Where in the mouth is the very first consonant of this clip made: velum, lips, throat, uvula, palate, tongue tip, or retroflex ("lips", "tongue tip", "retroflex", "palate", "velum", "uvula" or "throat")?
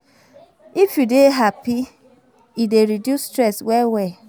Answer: lips